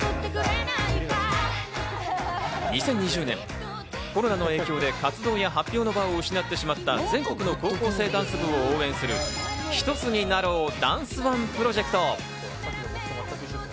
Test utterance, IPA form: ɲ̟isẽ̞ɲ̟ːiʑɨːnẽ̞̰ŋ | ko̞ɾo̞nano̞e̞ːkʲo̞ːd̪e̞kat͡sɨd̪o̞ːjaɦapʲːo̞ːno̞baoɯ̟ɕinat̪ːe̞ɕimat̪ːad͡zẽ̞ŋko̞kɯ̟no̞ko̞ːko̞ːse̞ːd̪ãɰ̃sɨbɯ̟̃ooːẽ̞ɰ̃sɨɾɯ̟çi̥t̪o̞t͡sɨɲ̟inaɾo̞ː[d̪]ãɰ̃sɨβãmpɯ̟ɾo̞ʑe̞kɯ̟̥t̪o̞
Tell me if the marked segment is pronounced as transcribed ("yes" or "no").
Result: yes